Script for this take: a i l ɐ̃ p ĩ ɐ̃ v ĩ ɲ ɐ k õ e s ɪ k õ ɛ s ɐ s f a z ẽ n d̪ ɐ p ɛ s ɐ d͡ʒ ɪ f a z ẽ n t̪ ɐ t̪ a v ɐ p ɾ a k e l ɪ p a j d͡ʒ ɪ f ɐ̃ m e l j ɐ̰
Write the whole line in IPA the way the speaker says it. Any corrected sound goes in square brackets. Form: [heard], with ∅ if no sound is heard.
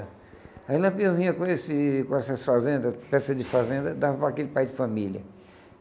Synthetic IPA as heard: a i l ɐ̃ p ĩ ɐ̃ v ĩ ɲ ɐ k õ e s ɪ k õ ɛ s ɐ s f a z ẽ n d̪ ɐ p ɛ s ɐ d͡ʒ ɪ f a z ẽ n [d̪] ɐ [d̪] a v ɐ p ɾ a k e l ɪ p a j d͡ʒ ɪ f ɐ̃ m [i] l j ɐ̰

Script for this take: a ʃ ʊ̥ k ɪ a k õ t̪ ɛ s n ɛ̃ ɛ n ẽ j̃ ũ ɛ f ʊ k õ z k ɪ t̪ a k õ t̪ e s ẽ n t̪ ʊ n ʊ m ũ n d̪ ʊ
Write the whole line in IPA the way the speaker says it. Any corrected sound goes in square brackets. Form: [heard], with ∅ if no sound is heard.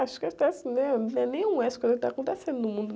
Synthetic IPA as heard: a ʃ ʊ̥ k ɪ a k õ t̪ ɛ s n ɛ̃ ɛ n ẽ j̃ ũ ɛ [s] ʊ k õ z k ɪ t̪ a k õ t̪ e s ẽ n [d̪] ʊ n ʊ m ũ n d̪ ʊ

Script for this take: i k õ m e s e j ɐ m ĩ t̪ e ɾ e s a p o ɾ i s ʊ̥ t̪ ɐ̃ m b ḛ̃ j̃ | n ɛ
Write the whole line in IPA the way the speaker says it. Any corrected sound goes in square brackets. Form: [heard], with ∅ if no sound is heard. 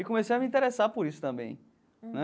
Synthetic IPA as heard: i k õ m e s e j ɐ m ĩ t̪ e ɾ e s a p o ɾ i s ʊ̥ t̪ ɐ̃ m b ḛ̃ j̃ | n ɛ

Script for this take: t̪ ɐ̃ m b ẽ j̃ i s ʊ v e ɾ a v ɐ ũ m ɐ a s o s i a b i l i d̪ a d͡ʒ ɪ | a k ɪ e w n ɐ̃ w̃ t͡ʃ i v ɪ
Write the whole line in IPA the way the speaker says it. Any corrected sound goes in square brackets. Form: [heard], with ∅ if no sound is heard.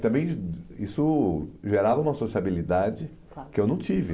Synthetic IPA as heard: t̪ ɐ̃ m b ẽ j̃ i s ʊ [ʒ] e ɾ a v ɐ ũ m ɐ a s o s i a b i l i d̪ a d͡ʒ ɪ | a k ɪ e w n ɐ̃ w̃ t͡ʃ i v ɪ

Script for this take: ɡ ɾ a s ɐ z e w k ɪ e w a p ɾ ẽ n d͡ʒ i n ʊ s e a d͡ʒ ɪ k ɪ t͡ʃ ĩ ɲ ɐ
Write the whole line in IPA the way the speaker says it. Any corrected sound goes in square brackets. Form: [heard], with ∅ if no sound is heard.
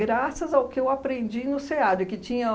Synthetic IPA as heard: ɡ ɾ a s ɐ z [a] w k ɪ e w a p ɾ ẽ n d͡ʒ i n ʊ s e a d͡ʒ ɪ k ɪ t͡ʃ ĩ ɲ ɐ

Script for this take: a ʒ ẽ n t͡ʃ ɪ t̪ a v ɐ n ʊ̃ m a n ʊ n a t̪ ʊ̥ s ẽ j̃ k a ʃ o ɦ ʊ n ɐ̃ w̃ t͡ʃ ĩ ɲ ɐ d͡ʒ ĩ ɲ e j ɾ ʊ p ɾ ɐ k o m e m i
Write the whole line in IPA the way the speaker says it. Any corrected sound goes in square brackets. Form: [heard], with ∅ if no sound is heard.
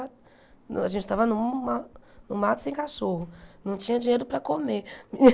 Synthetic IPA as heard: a ʒ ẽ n t͡ʃ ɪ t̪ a v ɐ n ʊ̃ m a n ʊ [m] a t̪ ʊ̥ s ẽ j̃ k a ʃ o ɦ ʊ n ɐ̃ w̃ t͡ʃ ĩ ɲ ɐ d͡ʒ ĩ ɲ e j ɾ ʊ p ɾ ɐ k o m e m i

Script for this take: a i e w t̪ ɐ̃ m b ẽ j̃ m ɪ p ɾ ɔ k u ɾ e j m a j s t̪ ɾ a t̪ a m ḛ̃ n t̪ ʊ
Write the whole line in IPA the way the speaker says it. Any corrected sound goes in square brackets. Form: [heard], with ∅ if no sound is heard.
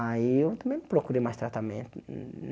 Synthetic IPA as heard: a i e w t̪ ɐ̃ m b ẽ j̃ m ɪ p ɾ [o] k u ɾ e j m a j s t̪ ɾ a t̪ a m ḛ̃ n t̪ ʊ

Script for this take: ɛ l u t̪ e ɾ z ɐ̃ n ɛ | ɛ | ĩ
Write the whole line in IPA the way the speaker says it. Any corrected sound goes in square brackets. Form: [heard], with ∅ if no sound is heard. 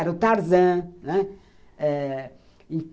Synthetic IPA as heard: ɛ [ɾ] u t̪ [a] ɾ z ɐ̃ n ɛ | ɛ | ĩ

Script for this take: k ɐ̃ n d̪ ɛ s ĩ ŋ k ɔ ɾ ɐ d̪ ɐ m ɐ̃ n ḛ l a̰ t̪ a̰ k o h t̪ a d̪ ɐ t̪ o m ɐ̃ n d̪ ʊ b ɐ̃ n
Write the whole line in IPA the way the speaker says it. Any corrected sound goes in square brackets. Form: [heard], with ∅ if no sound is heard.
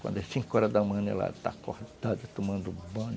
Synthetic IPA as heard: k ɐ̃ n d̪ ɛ s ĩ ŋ k ɔ ɾ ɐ d̪ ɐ m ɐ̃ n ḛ l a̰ t̪ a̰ k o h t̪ a d̪ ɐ t̪ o m ɐ̃ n d̪ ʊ b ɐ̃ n

